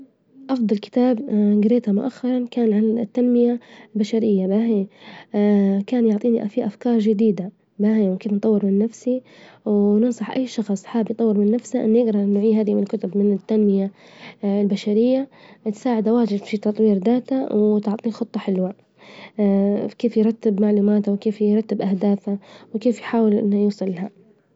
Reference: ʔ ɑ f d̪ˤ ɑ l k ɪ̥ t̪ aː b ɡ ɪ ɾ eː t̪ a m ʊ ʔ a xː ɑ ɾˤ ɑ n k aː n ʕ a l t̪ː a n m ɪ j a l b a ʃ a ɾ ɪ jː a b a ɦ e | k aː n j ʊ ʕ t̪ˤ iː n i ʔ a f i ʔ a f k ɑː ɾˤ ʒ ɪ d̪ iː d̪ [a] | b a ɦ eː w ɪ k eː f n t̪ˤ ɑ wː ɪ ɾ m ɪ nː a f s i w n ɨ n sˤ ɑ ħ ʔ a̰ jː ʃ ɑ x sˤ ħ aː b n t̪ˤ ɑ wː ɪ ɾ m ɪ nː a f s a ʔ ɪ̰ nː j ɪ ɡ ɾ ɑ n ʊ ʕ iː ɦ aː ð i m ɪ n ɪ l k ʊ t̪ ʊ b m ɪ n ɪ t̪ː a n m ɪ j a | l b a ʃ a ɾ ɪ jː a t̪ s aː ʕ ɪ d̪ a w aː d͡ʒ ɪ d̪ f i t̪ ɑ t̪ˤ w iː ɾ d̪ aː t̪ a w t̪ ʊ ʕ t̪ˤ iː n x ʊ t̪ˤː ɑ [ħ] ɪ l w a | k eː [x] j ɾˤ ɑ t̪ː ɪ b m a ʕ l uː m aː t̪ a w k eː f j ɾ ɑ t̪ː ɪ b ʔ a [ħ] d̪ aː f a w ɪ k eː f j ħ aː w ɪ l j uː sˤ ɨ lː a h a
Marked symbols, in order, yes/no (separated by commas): yes, yes, no, no